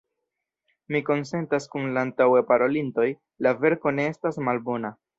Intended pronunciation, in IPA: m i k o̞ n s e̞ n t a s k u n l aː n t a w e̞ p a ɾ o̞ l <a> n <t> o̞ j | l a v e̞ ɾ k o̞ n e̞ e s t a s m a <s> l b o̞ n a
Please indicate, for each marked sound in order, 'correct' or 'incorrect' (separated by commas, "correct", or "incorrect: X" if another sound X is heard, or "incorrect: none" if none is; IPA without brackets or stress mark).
incorrect: i, correct, incorrect: none